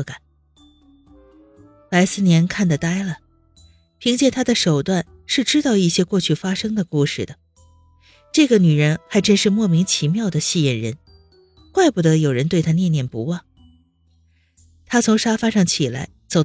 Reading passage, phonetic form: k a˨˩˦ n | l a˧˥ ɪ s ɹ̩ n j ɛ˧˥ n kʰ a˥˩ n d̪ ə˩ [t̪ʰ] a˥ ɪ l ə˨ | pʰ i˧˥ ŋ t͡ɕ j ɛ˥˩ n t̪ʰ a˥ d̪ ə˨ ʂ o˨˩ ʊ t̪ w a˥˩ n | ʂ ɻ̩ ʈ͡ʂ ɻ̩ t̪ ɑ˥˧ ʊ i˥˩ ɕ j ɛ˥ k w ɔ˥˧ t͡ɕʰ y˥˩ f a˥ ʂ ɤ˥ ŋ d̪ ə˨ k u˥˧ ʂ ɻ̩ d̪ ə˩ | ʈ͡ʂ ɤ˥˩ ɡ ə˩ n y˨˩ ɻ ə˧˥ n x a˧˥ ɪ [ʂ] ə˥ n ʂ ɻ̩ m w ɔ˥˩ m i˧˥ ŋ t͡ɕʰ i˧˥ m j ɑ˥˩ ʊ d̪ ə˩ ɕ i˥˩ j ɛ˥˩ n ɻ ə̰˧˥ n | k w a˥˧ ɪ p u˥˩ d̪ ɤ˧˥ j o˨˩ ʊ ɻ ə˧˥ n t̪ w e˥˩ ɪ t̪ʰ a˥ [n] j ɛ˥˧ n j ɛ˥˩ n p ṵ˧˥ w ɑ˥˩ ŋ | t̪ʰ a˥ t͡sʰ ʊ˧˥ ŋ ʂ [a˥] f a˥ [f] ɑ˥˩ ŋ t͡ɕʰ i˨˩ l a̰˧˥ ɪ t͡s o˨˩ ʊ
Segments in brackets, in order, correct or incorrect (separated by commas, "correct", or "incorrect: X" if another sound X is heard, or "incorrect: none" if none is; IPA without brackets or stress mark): incorrect: t̪, incorrect: ʈ͡ʂ, correct, correct, incorrect: ʂ